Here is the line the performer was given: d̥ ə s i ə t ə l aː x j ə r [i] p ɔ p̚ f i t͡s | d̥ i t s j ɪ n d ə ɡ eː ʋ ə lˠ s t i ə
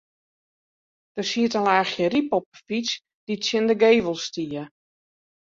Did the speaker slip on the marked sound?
no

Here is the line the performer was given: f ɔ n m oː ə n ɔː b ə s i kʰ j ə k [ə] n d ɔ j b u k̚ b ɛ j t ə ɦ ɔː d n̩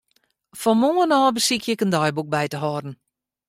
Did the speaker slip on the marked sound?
no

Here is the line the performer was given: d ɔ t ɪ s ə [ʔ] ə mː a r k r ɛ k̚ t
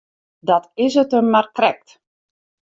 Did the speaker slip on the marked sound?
yes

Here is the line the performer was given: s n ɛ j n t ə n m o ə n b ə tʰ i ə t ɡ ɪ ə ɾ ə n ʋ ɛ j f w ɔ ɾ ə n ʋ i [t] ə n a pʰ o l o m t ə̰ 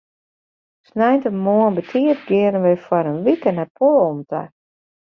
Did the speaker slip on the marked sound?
yes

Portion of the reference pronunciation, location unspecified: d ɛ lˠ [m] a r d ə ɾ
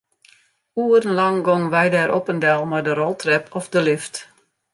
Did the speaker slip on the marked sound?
no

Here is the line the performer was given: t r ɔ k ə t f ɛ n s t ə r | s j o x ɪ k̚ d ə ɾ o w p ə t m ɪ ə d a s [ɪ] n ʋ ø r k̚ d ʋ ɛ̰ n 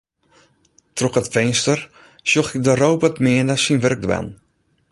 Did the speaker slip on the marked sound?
yes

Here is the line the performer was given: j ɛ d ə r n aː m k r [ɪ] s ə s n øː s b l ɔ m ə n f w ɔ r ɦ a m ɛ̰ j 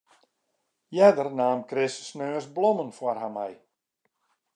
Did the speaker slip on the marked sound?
no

